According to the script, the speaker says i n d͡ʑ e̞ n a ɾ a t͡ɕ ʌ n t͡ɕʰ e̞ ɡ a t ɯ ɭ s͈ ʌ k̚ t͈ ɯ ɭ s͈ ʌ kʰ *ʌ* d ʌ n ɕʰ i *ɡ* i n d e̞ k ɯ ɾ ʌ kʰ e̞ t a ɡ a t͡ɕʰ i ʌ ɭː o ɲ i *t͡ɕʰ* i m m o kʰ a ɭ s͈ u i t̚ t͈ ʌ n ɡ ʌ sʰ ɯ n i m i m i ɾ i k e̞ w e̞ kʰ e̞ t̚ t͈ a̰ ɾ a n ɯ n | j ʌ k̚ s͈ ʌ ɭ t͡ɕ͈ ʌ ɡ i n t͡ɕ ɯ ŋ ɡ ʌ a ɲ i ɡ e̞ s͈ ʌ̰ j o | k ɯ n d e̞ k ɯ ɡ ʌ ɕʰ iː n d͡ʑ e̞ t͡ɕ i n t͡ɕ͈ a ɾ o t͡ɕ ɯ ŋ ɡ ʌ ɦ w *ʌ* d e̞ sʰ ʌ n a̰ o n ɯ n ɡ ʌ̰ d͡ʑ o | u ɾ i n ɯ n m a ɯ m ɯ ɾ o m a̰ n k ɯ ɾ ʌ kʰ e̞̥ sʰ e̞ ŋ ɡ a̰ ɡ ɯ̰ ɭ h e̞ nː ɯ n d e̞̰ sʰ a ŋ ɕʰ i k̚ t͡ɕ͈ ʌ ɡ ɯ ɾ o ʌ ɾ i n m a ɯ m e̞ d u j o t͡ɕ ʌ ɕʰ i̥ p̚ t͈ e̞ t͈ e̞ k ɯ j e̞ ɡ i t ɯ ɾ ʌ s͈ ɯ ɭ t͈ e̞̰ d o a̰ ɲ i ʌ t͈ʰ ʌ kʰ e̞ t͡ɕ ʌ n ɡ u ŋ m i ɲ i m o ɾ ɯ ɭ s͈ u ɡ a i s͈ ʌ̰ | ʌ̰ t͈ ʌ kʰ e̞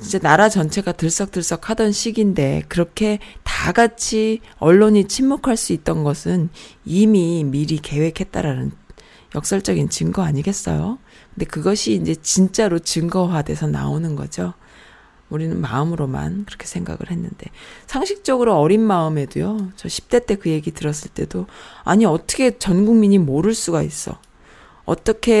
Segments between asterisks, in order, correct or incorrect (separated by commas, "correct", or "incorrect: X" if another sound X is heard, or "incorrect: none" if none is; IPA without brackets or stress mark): incorrect: a, correct, correct, incorrect: a